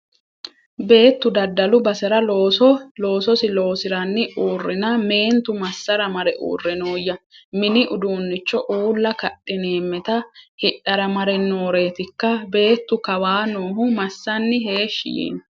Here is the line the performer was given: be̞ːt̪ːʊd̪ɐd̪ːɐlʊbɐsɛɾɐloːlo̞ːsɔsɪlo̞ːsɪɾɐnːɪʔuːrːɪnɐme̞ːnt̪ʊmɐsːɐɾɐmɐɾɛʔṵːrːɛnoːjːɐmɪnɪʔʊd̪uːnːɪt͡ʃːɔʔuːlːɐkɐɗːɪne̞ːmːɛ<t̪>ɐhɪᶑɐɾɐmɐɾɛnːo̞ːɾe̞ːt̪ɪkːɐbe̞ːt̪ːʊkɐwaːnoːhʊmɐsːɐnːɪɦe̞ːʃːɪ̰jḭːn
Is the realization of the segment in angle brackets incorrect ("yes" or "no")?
no